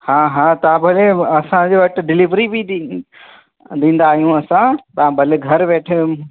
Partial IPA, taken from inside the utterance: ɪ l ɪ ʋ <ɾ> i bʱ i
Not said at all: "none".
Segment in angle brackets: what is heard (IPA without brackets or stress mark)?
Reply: ɾ